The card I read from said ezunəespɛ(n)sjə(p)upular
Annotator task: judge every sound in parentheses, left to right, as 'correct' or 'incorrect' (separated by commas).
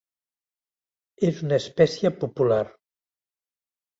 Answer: incorrect, correct